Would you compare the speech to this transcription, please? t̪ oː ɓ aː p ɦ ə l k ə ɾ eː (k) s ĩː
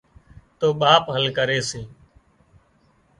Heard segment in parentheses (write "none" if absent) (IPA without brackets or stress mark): none